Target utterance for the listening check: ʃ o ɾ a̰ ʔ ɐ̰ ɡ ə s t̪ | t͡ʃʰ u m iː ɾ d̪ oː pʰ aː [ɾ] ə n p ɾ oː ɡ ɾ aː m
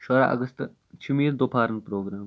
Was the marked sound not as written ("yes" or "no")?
no